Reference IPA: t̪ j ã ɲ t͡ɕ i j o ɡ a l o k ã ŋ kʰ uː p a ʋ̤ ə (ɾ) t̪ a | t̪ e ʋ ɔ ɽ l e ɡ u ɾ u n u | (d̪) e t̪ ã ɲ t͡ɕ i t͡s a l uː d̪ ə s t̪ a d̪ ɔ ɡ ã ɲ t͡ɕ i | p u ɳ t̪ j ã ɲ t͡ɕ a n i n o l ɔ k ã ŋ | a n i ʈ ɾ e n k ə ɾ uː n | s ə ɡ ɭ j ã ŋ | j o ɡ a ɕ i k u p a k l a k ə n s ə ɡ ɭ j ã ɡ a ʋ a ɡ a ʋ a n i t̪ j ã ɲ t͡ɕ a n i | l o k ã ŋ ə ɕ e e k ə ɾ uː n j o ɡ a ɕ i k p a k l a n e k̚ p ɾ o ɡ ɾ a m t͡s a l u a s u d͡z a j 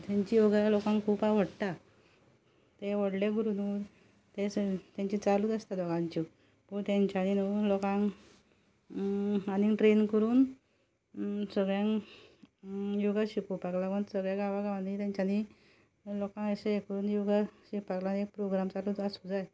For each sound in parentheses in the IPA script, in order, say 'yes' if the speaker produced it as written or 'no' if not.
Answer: no, no

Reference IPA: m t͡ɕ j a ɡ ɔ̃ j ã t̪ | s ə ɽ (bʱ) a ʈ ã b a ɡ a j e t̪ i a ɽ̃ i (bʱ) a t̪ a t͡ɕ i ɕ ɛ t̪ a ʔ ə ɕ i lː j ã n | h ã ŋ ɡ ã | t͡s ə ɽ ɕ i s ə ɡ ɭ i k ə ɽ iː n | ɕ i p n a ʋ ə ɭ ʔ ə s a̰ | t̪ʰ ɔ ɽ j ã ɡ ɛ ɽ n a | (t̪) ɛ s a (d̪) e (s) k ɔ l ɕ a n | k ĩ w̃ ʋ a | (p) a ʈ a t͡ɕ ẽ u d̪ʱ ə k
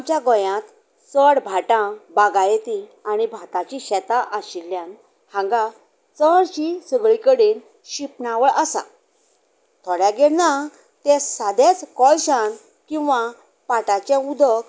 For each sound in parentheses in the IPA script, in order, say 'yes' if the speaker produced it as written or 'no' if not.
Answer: yes, yes, yes, yes, no, yes

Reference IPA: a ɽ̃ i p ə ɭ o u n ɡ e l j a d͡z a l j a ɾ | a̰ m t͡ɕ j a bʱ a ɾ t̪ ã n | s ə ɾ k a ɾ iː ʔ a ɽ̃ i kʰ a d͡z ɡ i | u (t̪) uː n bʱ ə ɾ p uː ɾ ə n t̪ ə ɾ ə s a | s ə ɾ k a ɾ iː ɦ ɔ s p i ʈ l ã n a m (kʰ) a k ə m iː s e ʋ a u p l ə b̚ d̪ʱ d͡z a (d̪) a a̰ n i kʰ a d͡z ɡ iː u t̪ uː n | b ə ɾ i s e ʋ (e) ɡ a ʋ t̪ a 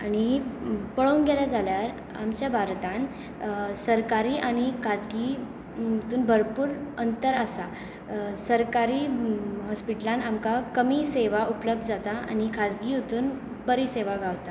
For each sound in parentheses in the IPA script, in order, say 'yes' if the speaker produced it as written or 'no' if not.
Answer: yes, no, no, no

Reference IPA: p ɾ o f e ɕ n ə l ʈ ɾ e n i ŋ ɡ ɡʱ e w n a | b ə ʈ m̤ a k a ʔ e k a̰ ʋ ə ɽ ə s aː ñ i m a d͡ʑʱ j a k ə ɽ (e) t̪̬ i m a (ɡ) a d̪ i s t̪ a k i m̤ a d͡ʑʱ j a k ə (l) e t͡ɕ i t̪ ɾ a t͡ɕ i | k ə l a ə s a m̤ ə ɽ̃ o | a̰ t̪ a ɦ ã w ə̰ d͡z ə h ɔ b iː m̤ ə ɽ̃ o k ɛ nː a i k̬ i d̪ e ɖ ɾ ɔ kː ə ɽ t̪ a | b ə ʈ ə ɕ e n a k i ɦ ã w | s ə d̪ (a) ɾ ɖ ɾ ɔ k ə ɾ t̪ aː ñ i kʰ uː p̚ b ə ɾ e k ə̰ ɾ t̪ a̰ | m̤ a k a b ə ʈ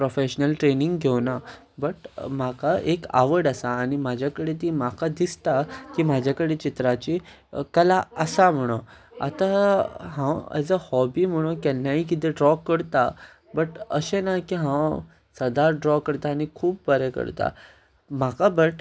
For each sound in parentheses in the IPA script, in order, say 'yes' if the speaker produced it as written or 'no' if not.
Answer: yes, no, no, yes

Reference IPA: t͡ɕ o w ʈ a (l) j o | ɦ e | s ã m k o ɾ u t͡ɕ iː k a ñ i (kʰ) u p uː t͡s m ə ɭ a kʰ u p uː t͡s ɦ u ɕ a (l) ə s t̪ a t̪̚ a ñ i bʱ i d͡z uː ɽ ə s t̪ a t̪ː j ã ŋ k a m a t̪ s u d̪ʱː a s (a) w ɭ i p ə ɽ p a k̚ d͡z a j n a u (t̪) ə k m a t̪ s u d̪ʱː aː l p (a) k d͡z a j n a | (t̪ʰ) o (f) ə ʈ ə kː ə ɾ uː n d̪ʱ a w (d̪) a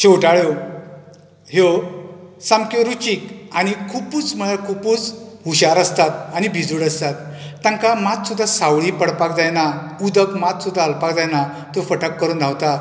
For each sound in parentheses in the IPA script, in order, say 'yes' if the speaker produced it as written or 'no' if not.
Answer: no, yes, no, yes, no, yes, no, yes, no

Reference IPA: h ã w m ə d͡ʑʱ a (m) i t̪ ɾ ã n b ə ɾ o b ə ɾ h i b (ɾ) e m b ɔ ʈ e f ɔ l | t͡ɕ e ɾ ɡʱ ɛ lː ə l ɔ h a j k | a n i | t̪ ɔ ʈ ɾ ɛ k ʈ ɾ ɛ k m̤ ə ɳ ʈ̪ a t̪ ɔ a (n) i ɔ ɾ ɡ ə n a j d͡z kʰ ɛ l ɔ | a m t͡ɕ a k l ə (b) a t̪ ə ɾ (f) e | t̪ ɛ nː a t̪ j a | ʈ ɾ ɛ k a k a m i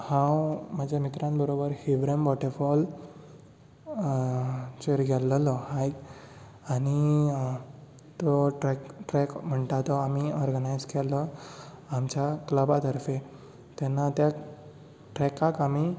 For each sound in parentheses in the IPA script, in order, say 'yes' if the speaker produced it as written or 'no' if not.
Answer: yes, yes, no, yes, yes

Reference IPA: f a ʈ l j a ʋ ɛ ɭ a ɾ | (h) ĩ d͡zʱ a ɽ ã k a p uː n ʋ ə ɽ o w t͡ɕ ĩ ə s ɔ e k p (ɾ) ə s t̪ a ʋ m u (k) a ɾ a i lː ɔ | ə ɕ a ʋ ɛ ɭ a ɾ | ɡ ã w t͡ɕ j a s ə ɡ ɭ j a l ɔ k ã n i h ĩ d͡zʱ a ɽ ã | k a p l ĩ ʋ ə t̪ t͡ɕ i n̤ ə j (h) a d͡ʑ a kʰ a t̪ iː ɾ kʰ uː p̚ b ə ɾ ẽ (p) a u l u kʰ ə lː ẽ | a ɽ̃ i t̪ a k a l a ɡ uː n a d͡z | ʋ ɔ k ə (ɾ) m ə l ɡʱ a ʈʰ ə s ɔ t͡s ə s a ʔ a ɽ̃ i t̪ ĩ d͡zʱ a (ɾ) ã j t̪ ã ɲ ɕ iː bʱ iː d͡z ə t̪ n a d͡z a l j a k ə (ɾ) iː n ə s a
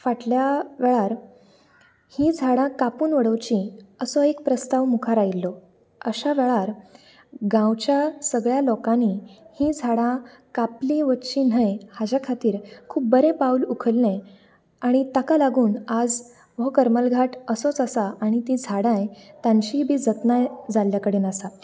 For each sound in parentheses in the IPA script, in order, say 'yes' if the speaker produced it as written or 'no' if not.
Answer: yes, yes, no, yes, yes, yes, no, no

